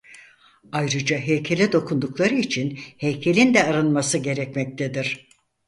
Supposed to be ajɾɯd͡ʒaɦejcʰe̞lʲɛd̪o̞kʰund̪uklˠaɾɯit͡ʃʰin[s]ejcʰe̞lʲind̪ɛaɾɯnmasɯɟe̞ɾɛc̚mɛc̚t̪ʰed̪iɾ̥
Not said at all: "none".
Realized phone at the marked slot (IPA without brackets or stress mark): h